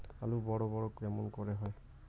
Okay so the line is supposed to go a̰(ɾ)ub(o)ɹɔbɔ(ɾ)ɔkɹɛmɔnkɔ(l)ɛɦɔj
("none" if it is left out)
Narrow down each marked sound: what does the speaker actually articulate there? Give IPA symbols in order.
l, ɔ, ɹ, ɹ

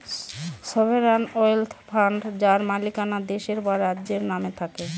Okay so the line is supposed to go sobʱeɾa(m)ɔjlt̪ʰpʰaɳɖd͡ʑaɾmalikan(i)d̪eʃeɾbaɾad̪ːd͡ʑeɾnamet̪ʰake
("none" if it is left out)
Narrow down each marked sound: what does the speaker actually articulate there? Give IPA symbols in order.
n, a

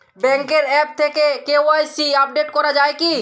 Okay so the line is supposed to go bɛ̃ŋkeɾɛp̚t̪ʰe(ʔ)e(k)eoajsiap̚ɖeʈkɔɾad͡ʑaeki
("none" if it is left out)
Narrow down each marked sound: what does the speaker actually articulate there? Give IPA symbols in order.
k, k

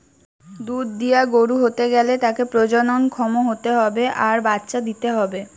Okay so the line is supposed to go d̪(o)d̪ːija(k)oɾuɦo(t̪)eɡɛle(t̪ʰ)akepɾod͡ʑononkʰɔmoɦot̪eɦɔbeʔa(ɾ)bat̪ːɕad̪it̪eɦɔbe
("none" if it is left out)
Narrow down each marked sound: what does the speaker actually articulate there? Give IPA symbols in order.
u, ɡ, t̪, t̪, ɾ

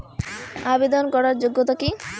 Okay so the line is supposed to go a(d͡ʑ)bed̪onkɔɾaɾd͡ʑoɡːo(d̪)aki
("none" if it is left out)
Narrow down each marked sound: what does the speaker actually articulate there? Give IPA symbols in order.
none, t̪

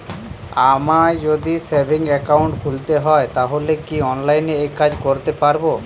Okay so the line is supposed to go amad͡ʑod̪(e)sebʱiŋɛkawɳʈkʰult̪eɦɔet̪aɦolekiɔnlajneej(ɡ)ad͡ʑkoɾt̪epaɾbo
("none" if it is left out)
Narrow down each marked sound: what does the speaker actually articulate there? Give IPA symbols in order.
i, k

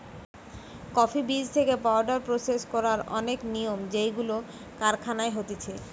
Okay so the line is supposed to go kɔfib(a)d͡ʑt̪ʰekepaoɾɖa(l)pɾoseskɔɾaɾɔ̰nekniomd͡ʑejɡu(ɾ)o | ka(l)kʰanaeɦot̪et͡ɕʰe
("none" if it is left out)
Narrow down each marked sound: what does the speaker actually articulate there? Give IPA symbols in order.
i, ɾ, l, ɾ

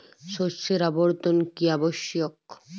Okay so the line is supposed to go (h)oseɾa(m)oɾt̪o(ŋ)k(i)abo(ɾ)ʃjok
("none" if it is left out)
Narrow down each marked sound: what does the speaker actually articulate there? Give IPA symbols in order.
ʃ, b, n, i, none

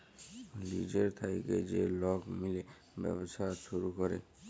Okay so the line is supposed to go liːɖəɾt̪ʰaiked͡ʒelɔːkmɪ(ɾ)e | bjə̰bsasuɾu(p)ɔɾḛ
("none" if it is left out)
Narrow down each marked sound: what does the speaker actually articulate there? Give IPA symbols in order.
l, k

